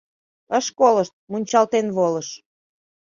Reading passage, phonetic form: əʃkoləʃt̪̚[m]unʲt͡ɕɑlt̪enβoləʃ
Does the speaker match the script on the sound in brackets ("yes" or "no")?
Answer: yes